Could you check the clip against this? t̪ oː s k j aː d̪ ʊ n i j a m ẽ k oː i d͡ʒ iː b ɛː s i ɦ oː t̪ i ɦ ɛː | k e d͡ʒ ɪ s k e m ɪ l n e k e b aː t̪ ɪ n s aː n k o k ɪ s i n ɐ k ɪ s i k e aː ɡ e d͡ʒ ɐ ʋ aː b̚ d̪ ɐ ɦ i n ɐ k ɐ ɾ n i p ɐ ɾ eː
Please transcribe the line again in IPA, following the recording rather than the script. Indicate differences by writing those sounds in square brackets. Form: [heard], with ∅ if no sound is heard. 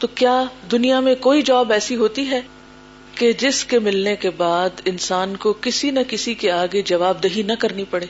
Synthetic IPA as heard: t̪ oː [∅] k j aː d̪ ʊ n i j a m ẽ k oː i d͡ʒ [aː] b ɛː s i ɦ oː t̪ i ɦ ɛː | k e d͡ʒ ɪ s k e m ɪ l n e k e b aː [d̪] ɪ n s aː n k o k ɪ s i n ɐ k ɪ s i k e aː ɡ e d͡ʒ ɐ ʋ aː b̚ d̪ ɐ ɦ i n ɐ k ɐ ɾ n i p ɐ [ɽ] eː